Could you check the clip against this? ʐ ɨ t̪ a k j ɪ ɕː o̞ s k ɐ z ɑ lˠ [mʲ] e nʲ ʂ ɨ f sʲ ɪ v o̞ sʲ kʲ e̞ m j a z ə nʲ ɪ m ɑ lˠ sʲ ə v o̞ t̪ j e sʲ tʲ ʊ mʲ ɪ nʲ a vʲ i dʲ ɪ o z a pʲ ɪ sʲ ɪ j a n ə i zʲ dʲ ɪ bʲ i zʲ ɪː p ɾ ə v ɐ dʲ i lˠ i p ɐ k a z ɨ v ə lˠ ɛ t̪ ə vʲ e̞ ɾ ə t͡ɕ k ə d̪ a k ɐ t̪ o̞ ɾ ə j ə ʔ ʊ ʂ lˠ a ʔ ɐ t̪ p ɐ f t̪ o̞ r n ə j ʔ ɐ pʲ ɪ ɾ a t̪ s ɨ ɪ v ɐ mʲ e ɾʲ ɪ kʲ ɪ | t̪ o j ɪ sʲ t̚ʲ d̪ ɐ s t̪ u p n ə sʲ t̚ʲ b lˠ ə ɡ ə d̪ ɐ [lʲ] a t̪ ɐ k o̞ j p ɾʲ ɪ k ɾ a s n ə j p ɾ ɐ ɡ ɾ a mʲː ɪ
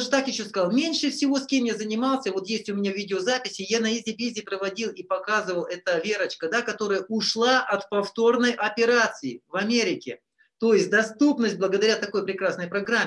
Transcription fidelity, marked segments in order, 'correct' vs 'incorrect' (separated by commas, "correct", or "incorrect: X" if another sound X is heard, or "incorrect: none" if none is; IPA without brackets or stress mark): correct, incorrect: ɾʲ